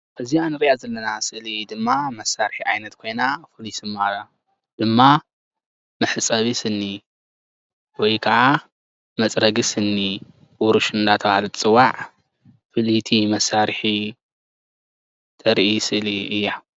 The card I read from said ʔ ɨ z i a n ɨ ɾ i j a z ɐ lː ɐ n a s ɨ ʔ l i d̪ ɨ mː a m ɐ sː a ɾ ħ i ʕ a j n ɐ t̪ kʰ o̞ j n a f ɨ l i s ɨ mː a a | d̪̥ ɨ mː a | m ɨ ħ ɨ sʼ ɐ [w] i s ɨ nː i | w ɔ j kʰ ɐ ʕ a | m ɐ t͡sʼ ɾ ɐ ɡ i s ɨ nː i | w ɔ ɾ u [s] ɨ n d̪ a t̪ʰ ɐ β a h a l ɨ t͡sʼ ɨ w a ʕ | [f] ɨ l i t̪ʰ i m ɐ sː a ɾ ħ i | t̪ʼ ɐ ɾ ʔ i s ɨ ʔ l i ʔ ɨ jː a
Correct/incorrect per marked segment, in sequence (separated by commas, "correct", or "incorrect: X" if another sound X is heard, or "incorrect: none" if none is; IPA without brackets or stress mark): incorrect: β, incorrect: ʃ, correct